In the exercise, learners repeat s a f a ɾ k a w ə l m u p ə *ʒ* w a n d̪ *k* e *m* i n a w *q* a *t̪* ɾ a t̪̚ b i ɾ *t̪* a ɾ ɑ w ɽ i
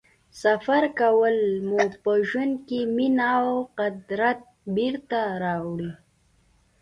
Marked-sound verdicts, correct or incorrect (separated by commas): correct, correct, correct, correct, incorrect, correct